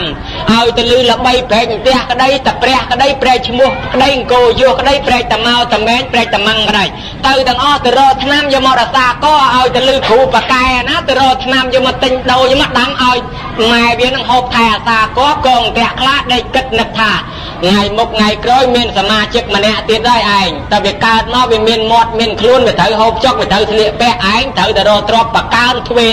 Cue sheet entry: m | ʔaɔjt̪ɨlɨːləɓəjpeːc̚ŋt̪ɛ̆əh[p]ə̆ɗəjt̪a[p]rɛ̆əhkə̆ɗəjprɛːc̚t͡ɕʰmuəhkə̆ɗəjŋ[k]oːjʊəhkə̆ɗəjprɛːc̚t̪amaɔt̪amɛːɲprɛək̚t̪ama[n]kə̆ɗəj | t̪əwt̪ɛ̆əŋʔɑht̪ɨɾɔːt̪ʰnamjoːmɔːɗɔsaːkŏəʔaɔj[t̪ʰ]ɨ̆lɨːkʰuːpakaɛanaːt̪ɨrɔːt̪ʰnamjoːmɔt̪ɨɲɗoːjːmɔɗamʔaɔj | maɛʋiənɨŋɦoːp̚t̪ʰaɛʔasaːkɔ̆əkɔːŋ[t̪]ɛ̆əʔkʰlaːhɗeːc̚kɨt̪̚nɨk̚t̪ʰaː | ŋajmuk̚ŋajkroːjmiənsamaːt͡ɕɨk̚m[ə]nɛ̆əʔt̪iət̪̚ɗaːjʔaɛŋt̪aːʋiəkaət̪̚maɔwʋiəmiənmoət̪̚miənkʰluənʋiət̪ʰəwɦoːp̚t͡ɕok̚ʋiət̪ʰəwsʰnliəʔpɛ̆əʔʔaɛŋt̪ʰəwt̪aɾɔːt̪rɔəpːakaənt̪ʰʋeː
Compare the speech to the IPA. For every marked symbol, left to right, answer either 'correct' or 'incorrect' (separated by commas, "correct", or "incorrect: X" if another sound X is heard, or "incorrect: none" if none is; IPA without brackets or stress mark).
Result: incorrect: k, correct, correct, incorrect: ŋ, incorrect: t̪, correct, correct